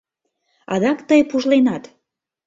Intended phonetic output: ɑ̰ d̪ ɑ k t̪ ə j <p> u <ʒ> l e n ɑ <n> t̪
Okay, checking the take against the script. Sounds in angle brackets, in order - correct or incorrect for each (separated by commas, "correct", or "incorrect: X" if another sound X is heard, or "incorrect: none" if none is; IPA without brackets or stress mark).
correct, correct, incorrect: none